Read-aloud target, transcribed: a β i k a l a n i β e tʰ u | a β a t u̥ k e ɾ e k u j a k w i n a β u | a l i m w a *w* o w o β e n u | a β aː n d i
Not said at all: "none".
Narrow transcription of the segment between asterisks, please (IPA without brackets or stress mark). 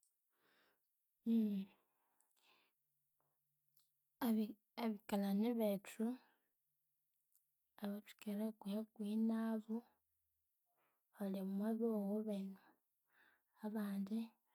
β